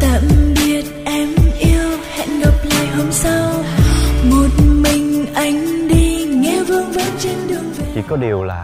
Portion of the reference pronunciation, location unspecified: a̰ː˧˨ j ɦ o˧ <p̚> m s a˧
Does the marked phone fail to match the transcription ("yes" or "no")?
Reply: yes